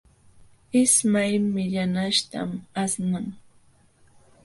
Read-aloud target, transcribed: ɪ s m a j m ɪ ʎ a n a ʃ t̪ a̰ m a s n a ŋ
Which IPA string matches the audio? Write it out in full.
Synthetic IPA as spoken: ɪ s m a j m ɪ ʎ a n a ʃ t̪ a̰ m a s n a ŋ